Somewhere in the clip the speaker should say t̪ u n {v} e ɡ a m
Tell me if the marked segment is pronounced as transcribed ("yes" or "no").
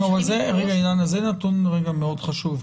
no